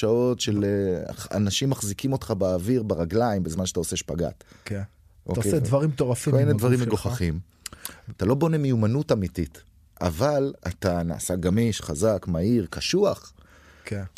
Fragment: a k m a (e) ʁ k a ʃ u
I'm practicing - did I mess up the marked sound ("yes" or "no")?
yes